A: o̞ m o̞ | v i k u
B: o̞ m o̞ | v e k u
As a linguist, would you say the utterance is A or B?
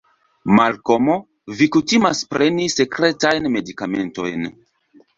A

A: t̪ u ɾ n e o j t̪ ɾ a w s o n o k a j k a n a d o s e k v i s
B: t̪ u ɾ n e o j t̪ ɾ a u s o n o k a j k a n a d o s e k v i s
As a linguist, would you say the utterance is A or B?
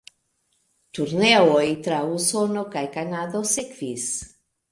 B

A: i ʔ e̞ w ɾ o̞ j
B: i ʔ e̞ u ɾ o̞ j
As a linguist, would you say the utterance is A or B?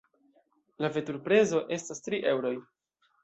A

